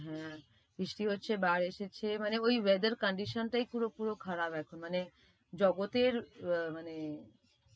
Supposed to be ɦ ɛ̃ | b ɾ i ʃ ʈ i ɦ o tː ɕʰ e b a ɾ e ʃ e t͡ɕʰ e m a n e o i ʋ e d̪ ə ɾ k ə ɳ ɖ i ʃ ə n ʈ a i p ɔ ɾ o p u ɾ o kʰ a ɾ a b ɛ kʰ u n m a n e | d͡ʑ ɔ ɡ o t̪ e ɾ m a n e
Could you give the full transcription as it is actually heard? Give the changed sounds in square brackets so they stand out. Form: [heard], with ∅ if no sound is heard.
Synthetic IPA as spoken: ɦ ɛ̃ | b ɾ i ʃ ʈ i ɦ o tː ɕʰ e b a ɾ e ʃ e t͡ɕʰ e m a n e o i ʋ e d̪ ə ɾ k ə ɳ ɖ i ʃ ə n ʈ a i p [u] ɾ o p u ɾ o kʰ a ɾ a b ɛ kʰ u n m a n e | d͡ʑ ɔ ɡ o t̪ e ɾ m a n e